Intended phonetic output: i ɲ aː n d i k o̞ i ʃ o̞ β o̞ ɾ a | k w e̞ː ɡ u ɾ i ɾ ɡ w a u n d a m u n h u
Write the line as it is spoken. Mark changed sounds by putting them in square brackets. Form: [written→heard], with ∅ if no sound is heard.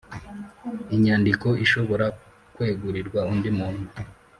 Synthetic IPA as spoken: i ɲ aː n d i k o̞ i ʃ o̞ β o̞ ɾ a | k w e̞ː ɡ u ɾ i ɾ ɡ w a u n d [a→i] m [u→uː] n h u